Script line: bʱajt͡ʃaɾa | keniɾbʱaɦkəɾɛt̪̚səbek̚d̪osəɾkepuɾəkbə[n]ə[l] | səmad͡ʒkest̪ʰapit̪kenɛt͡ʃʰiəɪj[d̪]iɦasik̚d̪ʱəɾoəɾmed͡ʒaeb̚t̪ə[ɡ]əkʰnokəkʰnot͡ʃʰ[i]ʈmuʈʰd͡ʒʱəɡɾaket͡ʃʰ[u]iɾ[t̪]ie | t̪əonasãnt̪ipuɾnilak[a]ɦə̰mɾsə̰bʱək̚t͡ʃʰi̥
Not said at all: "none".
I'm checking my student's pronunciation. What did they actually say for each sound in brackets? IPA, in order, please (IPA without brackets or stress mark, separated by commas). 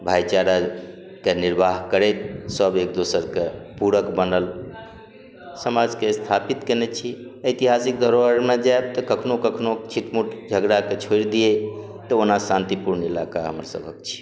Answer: n, l, t̪, k, i, o, d̪, a